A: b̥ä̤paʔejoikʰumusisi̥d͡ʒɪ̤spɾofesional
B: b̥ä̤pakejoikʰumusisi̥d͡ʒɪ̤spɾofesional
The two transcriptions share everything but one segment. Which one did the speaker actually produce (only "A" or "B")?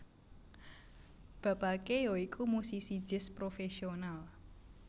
B